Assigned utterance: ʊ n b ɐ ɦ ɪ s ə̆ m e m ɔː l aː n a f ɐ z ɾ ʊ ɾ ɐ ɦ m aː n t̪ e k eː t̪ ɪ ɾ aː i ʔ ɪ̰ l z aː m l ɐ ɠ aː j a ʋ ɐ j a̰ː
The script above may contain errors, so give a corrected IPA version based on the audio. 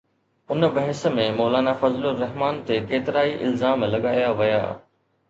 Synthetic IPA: ʊ n b ɐ ɦ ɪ s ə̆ m ẽ m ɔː l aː n a f ɐ z l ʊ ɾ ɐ ɦ m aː n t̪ e k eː t̪ ɪ ɾ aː i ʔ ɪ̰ l z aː m l ɐ ɠ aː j a ʋ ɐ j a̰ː